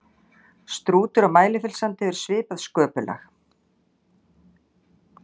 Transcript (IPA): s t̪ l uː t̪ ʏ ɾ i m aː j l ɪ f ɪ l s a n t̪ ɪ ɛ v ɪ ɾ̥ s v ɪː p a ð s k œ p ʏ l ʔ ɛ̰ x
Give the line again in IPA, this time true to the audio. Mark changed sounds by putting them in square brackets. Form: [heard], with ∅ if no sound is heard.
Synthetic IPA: s t̪ [ɾ] uː t̪ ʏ ɾ [a] m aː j l ɪ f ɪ l s a n t̪ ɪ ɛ v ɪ ɾ̥ s v ɪː p a ð s k [œː] p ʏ l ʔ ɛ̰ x

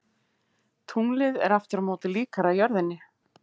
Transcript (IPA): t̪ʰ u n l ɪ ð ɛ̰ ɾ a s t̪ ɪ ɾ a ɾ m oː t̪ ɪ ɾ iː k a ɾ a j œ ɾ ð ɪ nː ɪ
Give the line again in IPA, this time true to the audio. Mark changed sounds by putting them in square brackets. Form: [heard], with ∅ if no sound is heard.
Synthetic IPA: t̪ʰ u [ŋ] l ɪ ð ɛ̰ ɾ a [f] t̪ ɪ ɾ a [∅] m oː t̪ ɪ [l] iː k a ɾ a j œ ɾ ð ɪ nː ɪ

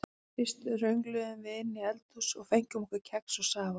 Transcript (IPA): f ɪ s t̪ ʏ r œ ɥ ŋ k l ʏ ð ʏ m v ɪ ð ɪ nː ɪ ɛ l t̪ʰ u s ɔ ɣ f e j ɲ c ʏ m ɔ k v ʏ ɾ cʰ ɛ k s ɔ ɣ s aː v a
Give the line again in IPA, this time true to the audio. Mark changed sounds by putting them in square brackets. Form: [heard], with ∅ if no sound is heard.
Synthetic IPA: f ɪ s t̪ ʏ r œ ɥ ŋ k l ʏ ð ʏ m v ɪ ð ɪ nː ɪ ɛ l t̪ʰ u s ɔ ɣ f e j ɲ c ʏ m ɔ k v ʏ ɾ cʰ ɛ k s ɔ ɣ s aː v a

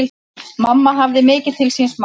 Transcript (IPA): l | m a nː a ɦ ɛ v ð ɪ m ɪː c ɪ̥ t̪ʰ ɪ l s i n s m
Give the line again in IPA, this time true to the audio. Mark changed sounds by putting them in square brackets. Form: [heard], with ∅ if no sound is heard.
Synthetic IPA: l | m a [mː] a ɦ [a] v ð ɪ m ɪː c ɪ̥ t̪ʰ ɪ l s i n s m

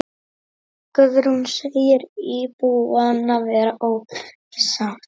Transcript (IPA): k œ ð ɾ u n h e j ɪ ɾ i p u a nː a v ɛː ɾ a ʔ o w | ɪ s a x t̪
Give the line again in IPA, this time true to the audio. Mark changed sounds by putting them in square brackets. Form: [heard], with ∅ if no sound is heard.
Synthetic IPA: k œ ð ɾ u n [s] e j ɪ ɾ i p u a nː a v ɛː ɾ a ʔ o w | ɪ s a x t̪

